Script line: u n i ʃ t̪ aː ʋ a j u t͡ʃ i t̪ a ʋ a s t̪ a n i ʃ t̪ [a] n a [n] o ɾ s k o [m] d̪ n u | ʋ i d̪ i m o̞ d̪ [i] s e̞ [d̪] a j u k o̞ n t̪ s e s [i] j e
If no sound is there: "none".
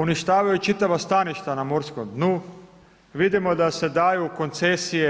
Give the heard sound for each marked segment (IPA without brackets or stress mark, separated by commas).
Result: a, m, m, a, d̪, i